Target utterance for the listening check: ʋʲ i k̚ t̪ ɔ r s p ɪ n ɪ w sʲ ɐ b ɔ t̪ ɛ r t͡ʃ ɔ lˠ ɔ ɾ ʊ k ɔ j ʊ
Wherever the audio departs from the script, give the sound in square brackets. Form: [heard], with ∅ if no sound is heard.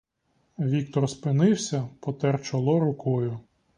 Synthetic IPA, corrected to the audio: ʋʲ i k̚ t̪ ɔ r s p ɪ n ɪ w sʲ ɐ [p] ɔ t̪ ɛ r t͡ʃ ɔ lˠ ɔ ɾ ʊ k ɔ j ʊ